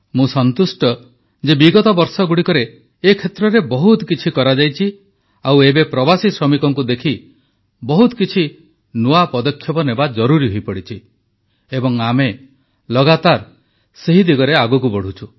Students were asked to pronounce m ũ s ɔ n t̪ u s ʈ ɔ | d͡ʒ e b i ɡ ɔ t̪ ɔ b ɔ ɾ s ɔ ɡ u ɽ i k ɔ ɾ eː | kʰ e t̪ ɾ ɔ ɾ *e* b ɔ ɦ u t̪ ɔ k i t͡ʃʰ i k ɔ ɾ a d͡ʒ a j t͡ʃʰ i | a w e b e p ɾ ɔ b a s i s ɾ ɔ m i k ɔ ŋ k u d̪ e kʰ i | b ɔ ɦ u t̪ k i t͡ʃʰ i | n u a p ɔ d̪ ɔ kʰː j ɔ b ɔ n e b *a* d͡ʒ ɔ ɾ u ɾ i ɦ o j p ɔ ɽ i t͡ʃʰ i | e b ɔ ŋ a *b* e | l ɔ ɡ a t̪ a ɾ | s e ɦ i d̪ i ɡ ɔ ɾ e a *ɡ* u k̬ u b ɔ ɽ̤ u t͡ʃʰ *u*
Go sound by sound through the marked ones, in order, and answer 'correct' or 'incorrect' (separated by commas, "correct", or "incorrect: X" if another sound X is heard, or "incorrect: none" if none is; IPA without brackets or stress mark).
correct, correct, incorrect: m, correct, correct